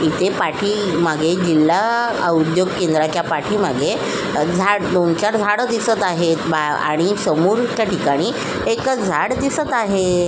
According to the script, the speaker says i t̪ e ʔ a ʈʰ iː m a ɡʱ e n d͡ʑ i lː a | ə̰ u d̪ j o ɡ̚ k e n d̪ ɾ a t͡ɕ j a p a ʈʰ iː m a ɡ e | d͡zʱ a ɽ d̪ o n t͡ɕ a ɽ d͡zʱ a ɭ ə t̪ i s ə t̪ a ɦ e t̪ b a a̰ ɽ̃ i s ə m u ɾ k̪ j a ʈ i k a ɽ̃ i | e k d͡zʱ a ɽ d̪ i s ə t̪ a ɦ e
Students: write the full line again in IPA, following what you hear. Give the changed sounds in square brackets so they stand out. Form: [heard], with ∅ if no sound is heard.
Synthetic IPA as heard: i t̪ e [p] a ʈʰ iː m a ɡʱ e [∅] d͡ʑ i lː a | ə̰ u d̪ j o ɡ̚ k e n d̪ ɾ a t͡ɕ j a p a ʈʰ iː m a ɡ e | d͡zʱ a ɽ d̪ o n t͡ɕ a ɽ d͡zʱ a [ɽ] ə [d̪] i s ə t̪ a ɦ e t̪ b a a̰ ɽ̃ i s ə m u ɾ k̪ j a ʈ i k a ɽ̃ i | e k d͡zʱ a ɽ d̪ i s ə t̪ a ɦ e